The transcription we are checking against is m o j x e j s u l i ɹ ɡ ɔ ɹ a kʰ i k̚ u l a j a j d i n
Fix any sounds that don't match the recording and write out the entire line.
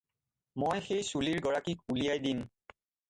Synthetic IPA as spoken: m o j x e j s u l i ɹ ɡ ɔ ɹ a k i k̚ u l i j a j d i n